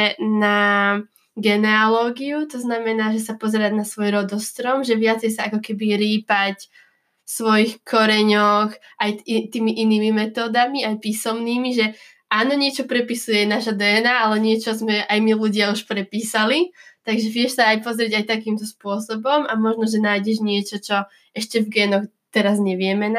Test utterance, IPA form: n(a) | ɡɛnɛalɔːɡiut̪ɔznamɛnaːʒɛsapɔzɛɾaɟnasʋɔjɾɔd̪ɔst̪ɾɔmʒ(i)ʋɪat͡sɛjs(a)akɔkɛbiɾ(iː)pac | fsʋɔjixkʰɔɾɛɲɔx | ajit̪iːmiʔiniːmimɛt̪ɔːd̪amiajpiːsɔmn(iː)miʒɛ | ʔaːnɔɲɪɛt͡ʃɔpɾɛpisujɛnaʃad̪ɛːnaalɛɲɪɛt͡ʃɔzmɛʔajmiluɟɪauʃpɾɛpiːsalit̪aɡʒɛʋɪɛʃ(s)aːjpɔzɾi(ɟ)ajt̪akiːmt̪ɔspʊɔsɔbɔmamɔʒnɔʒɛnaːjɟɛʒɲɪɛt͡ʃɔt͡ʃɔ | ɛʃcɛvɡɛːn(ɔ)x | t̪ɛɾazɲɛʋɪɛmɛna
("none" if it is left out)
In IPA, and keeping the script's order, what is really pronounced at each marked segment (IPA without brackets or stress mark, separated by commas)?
a, ɛ, a, iː, iː, s, ɟ, ɔ